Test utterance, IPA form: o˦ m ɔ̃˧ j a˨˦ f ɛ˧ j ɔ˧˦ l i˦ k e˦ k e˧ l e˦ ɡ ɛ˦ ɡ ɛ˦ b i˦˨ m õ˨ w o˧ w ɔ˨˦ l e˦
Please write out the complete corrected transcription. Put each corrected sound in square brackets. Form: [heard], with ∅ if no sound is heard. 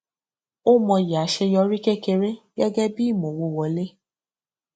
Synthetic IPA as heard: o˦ m ɔ̃˧ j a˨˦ [ʃ] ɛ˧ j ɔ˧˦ [ɾ] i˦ k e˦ k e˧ [ɾ] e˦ ɡ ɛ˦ ɡ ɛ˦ b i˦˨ m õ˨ w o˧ w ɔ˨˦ l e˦